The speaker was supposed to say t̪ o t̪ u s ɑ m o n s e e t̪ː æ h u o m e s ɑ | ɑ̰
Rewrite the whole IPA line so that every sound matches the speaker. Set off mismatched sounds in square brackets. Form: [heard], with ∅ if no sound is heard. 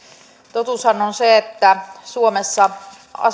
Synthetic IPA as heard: t̪ o t̪ u s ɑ [n] o n s e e t̪ː æ [s] u o m e [sː] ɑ | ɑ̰